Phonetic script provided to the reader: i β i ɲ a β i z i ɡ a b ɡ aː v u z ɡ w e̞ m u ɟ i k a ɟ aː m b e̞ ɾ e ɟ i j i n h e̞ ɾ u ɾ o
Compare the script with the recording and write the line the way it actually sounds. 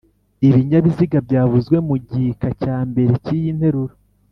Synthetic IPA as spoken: i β i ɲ a β i z i ɡ a b ɟ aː v u z ɡ w e̞ m u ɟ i k a c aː m b e̞ ɾ e c i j i n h e̞ ɾ u ɾ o